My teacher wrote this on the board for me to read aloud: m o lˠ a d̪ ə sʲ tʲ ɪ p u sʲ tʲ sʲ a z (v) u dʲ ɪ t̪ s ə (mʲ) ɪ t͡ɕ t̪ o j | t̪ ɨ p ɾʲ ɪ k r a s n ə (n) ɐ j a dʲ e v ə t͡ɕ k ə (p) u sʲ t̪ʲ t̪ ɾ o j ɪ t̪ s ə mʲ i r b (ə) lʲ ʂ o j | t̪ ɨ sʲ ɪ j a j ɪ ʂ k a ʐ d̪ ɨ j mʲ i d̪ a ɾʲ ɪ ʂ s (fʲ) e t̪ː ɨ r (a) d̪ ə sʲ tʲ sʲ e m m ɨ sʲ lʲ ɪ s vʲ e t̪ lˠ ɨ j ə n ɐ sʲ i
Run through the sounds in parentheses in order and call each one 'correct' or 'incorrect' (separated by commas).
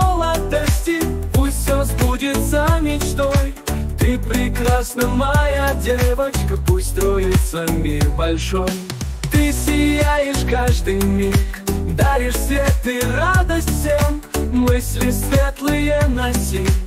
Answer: incorrect, correct, incorrect, correct, incorrect, incorrect, correct